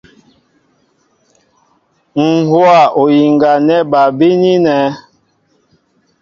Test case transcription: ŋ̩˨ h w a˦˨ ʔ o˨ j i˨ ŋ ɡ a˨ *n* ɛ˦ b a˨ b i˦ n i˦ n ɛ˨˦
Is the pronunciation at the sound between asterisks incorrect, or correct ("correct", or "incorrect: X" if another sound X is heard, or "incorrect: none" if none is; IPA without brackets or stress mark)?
correct